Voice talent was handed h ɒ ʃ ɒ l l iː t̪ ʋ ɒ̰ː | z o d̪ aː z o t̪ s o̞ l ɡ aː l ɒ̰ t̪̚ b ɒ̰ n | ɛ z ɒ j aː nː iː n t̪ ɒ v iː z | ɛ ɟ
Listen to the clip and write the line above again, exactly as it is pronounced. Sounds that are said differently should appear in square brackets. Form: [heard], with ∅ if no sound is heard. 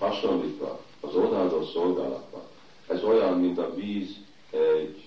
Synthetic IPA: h ɒ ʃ [o] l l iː t̪ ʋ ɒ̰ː | z o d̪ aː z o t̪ s o̞ l ɡ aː l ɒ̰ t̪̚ b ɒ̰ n | ɛ z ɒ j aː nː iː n t̪ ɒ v iː z | ɛ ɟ